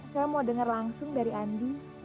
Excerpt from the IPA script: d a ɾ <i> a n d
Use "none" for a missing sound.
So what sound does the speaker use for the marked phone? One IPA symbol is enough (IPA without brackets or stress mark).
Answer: i